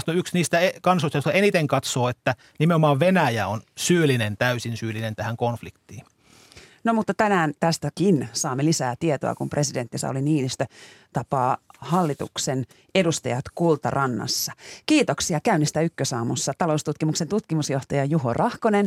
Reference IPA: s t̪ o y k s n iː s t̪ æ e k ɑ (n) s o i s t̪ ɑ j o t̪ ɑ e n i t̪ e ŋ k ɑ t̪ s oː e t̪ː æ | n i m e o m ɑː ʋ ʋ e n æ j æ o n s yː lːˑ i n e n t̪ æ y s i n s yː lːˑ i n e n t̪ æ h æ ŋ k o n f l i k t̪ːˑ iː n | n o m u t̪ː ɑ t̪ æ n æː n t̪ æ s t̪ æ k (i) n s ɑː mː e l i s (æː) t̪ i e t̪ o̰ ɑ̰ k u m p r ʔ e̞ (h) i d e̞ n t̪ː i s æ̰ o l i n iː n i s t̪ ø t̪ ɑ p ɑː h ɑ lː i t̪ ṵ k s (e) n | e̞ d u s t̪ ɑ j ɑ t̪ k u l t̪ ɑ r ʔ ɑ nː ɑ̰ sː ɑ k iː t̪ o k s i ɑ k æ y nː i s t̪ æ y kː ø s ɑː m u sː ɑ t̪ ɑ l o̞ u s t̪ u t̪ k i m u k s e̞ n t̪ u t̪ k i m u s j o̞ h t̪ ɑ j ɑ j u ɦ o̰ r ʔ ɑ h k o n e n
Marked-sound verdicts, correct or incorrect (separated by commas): correct, correct, correct, incorrect, correct